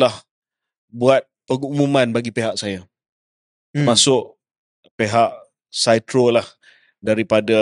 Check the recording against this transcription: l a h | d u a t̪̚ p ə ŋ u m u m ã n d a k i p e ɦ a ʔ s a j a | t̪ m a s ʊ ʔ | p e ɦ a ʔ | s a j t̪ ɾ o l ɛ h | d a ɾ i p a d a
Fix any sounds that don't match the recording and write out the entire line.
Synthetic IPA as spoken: l a h | b u a t̪̚ p ə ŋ u m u m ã n b a ɡ i p e ɦ a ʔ s a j a | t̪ m a s ʊ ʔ | p e ɦ a ʔ | s a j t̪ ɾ o l a h | d a ɾ i p a d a